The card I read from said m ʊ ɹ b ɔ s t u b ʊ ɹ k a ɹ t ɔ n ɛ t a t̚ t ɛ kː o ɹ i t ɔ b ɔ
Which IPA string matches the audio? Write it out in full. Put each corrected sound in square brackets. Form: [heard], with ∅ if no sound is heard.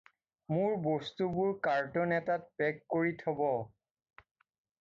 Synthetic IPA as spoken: m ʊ ɹ b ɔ s t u b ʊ ɹ k a ɹ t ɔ n ɛ t a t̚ [p] ɛ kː o ɹ i [tʰ] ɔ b ɔ